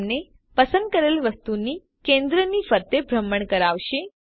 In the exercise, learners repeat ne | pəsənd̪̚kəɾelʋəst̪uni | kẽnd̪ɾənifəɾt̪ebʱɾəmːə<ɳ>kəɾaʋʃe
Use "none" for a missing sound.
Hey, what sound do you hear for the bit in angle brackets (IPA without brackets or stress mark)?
ɳ